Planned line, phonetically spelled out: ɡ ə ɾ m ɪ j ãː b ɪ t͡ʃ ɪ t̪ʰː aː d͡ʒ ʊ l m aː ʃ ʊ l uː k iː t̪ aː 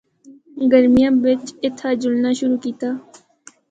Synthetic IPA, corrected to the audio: ɡ ə ɾ m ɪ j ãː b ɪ t͡ʃ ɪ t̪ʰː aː d͡ʒ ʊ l n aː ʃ ʊ ɾ uː k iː t̪ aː

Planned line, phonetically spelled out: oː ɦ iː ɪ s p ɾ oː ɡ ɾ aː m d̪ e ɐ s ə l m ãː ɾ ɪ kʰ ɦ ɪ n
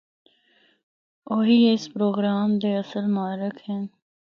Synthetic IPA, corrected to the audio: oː ɦ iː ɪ s p ɾ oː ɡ ɾ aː m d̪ e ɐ s ə l m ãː ɾ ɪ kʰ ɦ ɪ n

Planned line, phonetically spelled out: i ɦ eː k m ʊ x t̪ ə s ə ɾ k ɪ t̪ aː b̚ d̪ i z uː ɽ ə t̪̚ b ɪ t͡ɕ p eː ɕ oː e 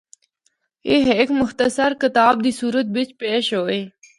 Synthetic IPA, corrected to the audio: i ɦ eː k m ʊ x t̪ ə s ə ɾ k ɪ t̪ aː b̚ d̪ i s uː ɾ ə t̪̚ b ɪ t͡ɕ p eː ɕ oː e

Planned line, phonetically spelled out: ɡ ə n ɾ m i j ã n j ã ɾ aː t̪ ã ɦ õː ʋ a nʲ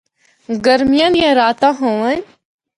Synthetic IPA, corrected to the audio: ɡ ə ɾ m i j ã n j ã ɾ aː t̪ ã ɦ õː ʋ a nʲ

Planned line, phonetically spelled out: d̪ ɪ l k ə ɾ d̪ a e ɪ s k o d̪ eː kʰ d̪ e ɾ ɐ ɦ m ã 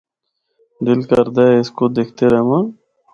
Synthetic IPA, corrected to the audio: d̪ ɪ l k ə ɾ d̪ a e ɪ s k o d̪ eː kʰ t̪ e ɾ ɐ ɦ m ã

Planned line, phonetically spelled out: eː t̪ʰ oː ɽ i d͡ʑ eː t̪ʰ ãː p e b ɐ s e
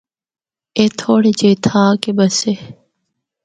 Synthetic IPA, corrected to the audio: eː t̪ʰ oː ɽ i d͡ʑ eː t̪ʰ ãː k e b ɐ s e

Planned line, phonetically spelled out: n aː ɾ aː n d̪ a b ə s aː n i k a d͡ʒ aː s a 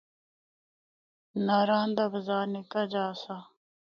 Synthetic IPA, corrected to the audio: n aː ɾ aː n d̪ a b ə z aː n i k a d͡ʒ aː s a

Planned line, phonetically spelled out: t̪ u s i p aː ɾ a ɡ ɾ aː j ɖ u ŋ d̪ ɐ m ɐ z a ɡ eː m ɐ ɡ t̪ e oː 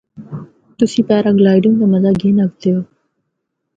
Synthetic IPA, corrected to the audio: t̪ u s i p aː ɾ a ɡ l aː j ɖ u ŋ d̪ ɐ m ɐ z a ɡ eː n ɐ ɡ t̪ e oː

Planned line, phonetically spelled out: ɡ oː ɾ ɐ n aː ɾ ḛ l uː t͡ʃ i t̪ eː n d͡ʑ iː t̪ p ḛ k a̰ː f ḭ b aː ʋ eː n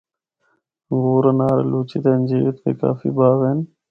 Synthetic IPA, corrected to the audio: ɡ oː ɾ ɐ n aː ɾ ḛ l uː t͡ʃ i t̪ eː n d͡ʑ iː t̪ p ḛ k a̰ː f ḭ b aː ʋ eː n

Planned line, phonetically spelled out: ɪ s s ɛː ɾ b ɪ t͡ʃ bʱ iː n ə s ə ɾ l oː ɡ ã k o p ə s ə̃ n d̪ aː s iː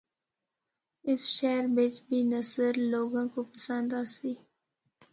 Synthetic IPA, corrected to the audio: ɪ s ʃ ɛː ɾ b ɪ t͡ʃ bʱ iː n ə s ə ɾ l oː ɡ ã k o p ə s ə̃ n d̪ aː s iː

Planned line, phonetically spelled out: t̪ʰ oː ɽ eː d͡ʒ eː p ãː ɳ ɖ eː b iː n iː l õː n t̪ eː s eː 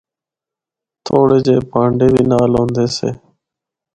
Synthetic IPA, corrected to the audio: t̪ʰ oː ɽ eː d͡ʒ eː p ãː ɳ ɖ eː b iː n aː l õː n d̪ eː s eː

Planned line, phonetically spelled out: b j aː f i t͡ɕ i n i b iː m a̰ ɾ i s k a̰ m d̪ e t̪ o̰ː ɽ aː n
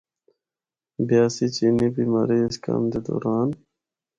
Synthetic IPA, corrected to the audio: b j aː s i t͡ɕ i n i b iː m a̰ ɾ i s k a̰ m d̪ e d̪ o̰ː ɾ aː n

